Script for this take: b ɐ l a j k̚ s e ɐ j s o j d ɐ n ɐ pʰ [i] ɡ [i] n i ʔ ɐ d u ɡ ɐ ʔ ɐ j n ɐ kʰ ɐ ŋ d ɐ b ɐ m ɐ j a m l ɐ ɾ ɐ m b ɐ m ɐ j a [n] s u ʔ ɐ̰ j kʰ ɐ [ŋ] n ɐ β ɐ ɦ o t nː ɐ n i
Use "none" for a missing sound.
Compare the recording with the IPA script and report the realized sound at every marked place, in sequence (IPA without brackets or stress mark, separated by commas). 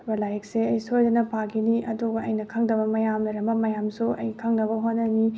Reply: a, i, m, ŋ